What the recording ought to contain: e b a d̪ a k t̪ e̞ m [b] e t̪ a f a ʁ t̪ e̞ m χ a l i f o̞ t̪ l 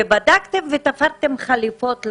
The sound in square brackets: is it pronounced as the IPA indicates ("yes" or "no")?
no